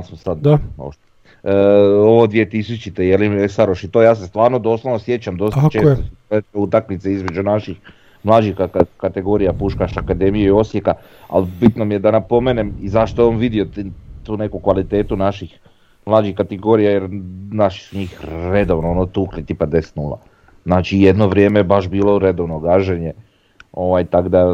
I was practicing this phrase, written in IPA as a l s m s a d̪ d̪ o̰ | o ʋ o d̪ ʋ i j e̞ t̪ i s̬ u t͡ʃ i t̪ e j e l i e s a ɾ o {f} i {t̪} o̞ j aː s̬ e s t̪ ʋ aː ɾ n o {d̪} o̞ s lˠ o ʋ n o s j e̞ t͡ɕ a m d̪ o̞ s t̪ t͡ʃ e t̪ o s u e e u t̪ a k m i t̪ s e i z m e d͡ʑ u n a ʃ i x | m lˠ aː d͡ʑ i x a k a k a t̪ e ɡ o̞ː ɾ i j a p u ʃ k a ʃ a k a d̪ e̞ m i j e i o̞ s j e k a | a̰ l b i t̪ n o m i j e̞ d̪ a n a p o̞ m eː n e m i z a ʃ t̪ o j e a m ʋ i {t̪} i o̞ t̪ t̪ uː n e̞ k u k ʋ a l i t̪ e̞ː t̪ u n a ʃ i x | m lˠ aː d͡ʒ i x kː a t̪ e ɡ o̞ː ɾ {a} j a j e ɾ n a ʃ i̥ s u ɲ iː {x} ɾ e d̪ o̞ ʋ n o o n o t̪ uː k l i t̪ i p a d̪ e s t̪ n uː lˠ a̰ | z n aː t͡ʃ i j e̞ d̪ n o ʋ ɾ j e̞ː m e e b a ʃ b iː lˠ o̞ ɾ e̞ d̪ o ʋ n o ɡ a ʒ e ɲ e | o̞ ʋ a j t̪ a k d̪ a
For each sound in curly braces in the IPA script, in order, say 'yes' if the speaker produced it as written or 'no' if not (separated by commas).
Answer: no, yes, yes, no, no, yes